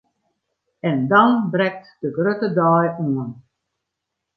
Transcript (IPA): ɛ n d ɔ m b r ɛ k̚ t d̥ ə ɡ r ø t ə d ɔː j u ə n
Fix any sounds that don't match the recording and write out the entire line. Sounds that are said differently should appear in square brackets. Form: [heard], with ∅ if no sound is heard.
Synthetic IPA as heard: ɛ n d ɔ [n] b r ɛ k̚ t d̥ ə ɡ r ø t ə d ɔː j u ə n